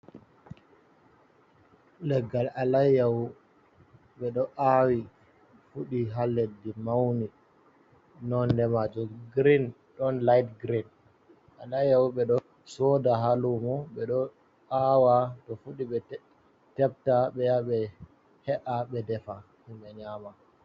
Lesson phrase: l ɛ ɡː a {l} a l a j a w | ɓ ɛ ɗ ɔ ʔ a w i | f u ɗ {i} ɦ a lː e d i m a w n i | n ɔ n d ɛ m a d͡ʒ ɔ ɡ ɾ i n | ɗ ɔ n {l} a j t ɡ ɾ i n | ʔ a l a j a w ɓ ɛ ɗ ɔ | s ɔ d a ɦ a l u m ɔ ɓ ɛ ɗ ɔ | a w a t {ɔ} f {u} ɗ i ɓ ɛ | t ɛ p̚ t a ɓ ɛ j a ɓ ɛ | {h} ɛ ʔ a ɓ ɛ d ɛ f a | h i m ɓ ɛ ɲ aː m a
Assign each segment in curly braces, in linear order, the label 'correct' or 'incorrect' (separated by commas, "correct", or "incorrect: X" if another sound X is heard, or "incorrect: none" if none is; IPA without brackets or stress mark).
correct, correct, correct, correct, correct, correct